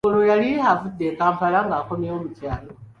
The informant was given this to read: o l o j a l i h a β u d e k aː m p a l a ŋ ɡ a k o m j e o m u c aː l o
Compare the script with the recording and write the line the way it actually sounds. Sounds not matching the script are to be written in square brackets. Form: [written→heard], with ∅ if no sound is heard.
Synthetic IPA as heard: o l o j a l i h a [β→v] u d e k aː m p a l a ŋ ɡ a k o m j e o m u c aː l o